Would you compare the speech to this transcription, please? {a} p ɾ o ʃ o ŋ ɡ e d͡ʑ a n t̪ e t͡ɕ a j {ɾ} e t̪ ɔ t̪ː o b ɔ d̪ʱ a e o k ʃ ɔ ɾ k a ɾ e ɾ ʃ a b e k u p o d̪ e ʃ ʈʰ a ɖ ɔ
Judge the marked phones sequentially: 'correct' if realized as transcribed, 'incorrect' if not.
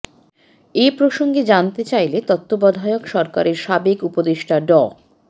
incorrect: e, incorrect: l

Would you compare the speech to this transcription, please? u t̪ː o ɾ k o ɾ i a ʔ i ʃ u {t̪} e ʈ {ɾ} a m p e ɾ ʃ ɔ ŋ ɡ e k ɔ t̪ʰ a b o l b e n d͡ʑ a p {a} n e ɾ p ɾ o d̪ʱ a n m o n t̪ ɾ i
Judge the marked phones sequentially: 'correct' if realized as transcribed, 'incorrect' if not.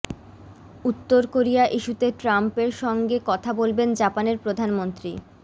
correct, correct, correct

